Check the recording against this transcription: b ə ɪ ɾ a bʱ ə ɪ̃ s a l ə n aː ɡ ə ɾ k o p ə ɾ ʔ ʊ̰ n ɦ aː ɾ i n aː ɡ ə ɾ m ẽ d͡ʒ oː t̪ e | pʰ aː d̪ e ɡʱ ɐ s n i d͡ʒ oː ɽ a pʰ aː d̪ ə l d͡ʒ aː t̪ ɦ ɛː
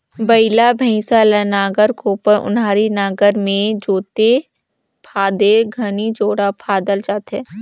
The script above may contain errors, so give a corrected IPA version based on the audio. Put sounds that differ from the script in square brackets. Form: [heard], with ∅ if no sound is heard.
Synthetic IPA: b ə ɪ [l] a bʱ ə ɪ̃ s a l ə n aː ɡ ə ɾ k o p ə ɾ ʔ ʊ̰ n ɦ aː ɾ i n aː ɡ ə ɾ m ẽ d͡ʒ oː t̪ e | pʰ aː d̪ e ɡʱ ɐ [∅] n i d͡ʒ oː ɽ a pʰ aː d̪ ə l d͡ʒ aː t̪ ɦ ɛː